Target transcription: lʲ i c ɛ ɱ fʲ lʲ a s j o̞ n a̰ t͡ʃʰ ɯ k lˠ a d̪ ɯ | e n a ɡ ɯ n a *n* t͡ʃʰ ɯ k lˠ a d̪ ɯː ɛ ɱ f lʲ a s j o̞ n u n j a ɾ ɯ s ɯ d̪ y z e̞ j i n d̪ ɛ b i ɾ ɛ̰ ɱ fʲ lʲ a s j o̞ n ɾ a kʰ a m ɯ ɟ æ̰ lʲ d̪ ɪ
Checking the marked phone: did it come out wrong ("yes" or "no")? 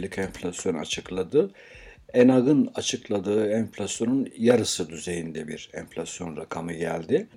yes